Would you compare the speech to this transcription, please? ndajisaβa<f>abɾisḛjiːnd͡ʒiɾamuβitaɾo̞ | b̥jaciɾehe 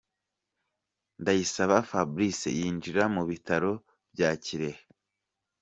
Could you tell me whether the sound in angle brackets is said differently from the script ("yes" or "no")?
no